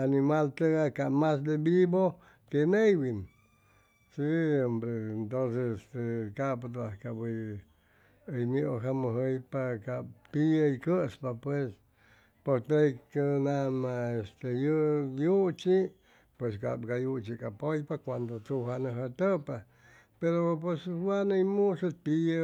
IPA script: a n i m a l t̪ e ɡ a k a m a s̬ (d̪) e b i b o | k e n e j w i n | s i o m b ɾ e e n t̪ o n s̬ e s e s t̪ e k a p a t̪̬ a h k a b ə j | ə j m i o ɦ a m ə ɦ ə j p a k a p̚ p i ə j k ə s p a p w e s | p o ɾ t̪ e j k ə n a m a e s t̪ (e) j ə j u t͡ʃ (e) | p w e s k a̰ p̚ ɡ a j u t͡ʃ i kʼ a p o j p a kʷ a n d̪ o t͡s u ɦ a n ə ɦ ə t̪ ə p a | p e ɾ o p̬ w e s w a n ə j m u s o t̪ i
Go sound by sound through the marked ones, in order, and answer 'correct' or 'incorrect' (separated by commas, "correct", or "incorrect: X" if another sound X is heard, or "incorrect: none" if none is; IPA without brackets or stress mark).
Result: correct, correct, incorrect: i